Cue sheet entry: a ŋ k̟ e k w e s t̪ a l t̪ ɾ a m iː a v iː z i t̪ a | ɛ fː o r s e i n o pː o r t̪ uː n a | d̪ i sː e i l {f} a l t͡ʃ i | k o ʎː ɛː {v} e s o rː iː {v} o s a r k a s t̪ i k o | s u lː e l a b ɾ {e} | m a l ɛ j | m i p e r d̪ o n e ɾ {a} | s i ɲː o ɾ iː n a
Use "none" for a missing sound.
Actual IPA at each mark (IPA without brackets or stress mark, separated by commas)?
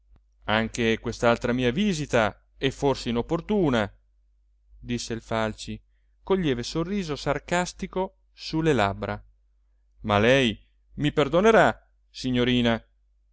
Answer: f, v, z, a, a